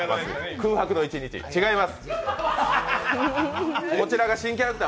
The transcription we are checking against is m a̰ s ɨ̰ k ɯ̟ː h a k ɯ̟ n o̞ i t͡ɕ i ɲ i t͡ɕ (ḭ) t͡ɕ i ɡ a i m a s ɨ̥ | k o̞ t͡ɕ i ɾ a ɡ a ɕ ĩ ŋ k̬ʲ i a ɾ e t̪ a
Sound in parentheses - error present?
no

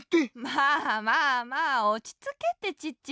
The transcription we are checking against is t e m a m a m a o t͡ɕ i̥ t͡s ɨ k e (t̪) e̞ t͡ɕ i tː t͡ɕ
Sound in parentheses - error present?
no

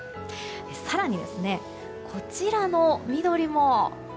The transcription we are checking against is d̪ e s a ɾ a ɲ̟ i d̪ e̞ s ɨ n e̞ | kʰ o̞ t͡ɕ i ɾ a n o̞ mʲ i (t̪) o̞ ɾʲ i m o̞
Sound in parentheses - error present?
yes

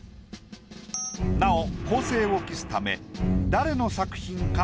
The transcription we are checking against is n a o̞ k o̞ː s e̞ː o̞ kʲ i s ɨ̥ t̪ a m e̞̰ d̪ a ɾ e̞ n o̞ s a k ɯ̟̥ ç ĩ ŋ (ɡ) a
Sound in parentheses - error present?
yes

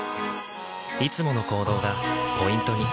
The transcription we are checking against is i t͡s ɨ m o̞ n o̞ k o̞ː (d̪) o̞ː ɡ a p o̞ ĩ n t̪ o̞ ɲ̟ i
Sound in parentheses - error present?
no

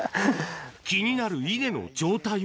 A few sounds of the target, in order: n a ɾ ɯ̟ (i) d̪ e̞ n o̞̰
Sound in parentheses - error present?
no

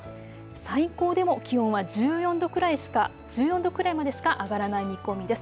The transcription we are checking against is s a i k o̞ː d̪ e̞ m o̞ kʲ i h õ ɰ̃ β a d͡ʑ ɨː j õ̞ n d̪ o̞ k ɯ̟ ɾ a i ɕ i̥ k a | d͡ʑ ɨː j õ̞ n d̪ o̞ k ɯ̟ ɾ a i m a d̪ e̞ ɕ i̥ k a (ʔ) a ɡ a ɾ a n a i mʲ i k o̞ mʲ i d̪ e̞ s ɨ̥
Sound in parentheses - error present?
no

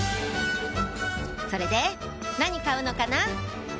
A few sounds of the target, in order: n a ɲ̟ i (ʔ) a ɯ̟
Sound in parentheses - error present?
yes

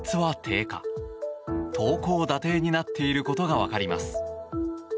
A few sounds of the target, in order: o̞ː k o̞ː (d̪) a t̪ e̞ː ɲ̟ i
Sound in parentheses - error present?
no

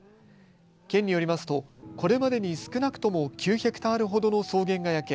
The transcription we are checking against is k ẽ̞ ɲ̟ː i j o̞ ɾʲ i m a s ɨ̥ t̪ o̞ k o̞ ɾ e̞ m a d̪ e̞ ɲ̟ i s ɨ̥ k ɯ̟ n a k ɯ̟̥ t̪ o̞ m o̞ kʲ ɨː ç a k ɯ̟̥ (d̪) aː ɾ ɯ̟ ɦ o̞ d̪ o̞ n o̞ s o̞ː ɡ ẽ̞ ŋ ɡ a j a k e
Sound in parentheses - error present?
yes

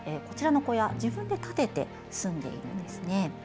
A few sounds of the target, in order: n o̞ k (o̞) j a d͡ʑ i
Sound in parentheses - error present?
no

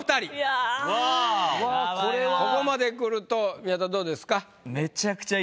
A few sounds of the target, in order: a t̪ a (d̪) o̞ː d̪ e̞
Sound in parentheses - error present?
no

